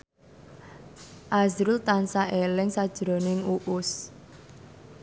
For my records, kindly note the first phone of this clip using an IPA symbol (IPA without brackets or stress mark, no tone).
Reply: ʔ